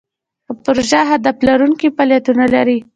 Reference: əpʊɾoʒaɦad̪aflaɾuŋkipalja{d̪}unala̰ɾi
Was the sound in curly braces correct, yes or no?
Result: no